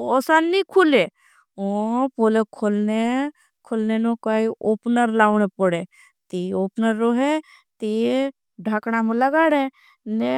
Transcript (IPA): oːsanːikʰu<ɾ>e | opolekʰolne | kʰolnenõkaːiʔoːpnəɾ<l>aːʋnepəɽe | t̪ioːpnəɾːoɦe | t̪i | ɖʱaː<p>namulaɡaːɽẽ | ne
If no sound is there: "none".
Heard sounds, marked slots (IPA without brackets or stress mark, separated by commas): l, l, k